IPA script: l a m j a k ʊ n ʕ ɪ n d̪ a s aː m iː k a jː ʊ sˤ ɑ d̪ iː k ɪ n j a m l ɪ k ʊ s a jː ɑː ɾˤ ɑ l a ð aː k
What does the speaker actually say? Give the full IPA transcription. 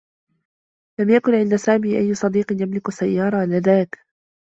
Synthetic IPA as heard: l a m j a k ʊ n ʕ ɪ n d̪ a s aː m iː ʔ a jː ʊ sˤ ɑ d̪ iː q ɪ n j a m l ɪ k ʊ s a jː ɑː ɾˤ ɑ l a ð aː k